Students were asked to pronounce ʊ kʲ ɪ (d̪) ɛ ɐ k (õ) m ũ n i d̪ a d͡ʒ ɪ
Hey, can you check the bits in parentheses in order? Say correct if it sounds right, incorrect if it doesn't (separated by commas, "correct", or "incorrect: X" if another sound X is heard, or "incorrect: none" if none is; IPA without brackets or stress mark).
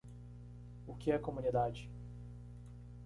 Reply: incorrect: none, incorrect: o